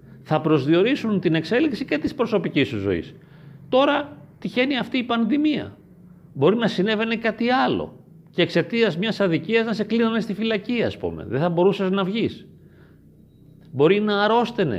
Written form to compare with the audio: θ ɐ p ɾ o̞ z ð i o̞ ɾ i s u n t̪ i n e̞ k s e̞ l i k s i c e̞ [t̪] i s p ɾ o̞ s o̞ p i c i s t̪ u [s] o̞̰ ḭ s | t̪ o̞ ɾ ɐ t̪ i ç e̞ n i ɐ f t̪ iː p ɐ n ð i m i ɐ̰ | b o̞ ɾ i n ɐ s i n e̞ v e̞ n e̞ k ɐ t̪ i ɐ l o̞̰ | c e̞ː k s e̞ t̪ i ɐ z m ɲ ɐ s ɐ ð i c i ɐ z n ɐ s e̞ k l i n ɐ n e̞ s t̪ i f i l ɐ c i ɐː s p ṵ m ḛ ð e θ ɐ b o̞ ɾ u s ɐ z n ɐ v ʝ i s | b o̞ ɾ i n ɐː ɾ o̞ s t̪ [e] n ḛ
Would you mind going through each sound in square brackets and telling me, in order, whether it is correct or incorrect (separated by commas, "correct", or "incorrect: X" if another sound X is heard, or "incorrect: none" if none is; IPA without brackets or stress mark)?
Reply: correct, incorrect: z, correct